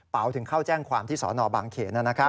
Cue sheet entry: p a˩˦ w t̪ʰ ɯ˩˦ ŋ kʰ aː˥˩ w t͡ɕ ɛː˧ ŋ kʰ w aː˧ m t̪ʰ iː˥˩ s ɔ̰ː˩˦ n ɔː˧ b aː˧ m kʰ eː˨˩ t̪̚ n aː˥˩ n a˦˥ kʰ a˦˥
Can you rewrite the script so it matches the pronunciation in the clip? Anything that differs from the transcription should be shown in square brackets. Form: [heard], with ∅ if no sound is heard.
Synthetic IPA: p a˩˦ w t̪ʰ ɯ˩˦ ŋ kʰ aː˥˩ w t͡ɕ [ɛː˥˩] ŋ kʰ w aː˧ m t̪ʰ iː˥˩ s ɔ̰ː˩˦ n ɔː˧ b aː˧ [ŋ] kʰ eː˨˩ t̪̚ n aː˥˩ n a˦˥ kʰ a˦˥